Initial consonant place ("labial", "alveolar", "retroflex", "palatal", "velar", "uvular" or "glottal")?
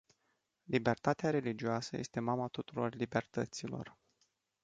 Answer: alveolar